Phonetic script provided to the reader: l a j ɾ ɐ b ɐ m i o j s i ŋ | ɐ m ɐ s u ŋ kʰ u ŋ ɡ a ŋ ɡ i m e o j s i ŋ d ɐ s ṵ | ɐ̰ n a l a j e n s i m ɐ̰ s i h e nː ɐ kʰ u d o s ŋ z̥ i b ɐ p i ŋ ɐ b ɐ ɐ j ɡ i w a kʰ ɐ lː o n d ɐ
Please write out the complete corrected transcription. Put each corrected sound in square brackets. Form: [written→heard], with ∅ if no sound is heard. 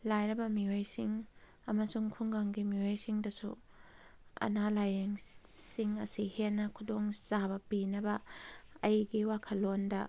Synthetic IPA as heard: l a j ɾ ɐ b ɐ m i o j s i ŋ | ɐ m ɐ s u ŋ kʰ u ŋ ɡ a ŋ ɡ i m [e→i] o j s i ŋ d ɐ s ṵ | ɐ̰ n a l a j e [n→ŋ] s i [m→ŋ] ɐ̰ s i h e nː ɐ kʰ u d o [s→∅] ŋ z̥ [i→a] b ɐ p i [ŋ→n] ɐ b ɐ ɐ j ɡ i w a kʰ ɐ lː o n d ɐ